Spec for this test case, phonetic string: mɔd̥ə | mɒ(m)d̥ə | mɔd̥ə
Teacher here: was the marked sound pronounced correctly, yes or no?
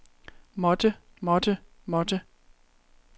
no